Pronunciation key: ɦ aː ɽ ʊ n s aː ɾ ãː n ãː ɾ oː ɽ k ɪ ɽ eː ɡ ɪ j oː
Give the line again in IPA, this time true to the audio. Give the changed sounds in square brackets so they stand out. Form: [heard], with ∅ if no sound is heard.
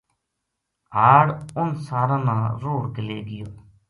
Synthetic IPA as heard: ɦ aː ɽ ʊ n s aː ɾ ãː n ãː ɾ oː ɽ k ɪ [l] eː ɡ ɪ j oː